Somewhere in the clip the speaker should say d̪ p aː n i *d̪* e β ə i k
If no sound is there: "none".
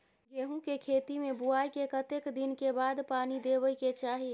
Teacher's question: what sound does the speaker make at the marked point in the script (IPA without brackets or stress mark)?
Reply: d̪